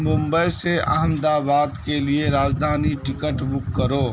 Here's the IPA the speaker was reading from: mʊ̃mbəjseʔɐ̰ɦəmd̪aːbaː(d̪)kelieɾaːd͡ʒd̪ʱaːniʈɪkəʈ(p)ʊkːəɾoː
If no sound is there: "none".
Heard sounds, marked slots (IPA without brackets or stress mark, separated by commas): d̪, b